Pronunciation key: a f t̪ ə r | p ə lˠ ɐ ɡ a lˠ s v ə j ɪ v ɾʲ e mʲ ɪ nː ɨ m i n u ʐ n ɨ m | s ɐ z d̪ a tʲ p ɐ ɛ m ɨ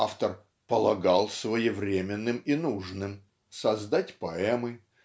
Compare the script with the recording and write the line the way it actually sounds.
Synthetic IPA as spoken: a f t̪ ə r | p ə lˠ ɐ ɡ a lˠ s v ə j ɪ v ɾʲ e mʲ ɪ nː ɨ m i n u ʐ n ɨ m | s ɐ z d̪ a tʲ p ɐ ɛ m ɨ